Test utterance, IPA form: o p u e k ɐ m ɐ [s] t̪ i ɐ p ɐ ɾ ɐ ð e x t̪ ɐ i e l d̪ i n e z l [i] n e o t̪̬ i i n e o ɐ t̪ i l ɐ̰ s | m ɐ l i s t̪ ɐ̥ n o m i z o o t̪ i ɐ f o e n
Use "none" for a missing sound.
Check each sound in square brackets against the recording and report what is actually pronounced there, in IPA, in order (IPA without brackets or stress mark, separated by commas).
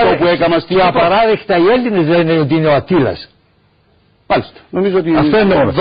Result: s, e